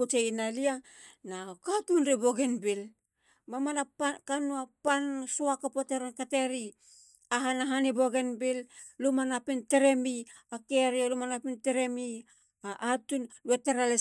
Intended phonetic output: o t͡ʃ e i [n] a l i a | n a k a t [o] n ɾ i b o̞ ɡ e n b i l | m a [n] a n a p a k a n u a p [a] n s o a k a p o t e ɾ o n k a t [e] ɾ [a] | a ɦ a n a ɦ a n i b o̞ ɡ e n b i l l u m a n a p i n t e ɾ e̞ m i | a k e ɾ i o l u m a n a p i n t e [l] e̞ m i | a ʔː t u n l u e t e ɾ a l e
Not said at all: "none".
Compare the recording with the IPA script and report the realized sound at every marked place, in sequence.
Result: n, u, m, a, e, i, ɾ

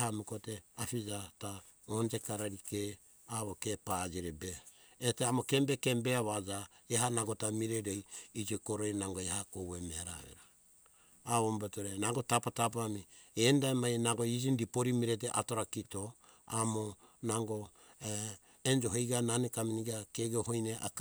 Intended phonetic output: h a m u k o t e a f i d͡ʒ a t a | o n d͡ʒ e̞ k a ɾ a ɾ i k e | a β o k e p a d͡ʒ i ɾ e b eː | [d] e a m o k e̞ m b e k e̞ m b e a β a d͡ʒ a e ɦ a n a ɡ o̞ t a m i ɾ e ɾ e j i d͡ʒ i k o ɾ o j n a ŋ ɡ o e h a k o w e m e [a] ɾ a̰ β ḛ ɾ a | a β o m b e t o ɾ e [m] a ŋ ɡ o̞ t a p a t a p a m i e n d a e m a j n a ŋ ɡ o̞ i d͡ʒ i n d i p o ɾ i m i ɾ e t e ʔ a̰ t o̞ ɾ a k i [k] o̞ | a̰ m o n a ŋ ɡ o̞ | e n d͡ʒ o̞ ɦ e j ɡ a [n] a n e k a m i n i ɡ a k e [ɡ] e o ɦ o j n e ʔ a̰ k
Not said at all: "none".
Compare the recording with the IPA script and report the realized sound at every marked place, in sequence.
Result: t, a, n, t, n, ɡ

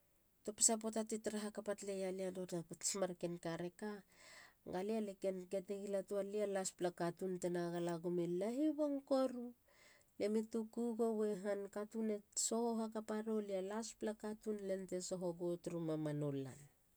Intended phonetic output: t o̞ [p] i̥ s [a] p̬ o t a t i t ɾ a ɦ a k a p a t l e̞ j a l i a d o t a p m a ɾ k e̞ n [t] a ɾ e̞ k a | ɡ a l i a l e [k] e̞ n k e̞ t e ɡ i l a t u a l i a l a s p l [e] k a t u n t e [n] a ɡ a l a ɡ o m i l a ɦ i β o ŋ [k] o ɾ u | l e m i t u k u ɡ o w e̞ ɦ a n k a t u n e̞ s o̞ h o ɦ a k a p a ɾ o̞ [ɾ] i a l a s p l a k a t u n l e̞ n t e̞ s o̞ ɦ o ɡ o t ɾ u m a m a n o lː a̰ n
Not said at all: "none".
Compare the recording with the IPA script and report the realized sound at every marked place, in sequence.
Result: p, a, k, k, a, n, k, l

